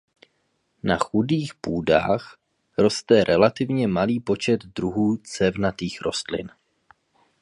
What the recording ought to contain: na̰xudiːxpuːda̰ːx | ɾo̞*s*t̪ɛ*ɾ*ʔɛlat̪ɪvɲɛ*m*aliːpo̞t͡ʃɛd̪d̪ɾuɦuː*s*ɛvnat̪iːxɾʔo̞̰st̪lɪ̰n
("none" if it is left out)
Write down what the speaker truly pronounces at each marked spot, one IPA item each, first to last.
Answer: s, ɾ, m, t͡s

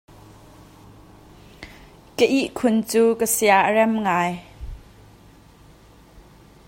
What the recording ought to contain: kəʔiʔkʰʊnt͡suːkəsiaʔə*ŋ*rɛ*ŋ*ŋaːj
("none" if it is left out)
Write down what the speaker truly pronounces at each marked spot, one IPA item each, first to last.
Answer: none, m

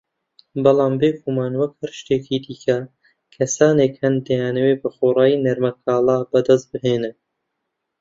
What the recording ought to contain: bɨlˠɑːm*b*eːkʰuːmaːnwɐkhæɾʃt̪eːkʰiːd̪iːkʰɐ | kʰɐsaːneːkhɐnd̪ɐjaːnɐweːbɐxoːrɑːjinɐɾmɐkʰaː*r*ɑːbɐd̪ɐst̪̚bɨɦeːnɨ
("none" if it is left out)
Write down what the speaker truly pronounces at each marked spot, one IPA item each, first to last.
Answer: b, l

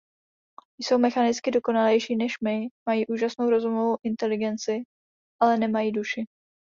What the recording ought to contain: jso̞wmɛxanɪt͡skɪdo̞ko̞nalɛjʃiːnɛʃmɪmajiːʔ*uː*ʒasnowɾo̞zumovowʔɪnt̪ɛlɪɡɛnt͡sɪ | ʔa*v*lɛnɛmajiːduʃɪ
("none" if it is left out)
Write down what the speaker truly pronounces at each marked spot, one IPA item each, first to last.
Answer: uː, none

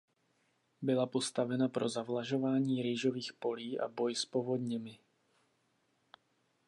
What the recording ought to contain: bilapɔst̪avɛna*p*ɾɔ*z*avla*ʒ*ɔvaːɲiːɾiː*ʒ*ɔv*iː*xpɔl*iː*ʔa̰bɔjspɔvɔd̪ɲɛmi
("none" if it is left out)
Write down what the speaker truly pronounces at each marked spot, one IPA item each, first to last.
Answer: p, z, ʒ, ʒ, iː, iː

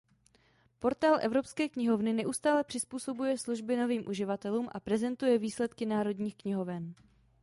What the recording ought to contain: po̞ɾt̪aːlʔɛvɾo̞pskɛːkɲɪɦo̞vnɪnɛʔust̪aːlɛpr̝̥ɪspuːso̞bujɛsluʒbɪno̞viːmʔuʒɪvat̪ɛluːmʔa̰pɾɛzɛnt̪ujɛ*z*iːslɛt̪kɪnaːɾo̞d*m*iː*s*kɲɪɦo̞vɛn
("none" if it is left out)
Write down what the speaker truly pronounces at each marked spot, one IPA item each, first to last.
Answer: v, ɲ, x

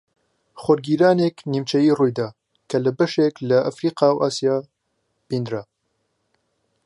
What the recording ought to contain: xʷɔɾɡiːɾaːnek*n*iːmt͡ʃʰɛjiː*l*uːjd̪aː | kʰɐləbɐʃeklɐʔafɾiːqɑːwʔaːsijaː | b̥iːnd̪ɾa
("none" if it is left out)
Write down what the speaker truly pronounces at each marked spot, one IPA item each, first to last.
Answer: n, r

